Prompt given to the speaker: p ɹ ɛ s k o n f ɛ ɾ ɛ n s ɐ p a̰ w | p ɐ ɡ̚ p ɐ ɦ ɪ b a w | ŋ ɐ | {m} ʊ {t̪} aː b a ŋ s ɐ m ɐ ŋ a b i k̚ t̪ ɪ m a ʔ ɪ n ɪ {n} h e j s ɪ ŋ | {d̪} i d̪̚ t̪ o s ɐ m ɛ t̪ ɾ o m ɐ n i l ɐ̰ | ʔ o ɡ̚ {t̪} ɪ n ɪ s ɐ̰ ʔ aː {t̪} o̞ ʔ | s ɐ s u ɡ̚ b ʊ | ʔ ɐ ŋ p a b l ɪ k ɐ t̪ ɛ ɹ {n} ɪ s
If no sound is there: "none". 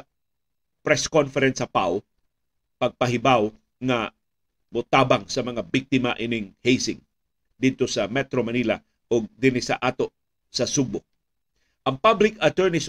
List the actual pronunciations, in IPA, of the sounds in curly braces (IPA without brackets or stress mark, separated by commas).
m, t̪, ŋ, d̪, d̪, t̪, n